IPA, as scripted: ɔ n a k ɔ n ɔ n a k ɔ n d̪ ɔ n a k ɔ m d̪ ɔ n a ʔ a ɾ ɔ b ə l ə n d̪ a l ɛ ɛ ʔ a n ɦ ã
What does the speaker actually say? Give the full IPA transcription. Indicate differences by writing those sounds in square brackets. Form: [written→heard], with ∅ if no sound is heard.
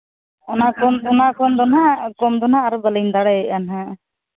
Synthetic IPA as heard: ɔ n a k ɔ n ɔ n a k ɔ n d̪ ɔ n a k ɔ m d̪ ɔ n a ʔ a ɾ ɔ b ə l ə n d̪ a [l→ɽ] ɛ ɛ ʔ a n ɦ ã